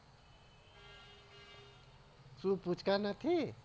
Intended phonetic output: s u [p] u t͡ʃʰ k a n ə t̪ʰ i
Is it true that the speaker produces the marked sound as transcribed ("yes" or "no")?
yes